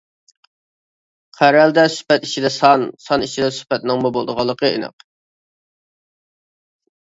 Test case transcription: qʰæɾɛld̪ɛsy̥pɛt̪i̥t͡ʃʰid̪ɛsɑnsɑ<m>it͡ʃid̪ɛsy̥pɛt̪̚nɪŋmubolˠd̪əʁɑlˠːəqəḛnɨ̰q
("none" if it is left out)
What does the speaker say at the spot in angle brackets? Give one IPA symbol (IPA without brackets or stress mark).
n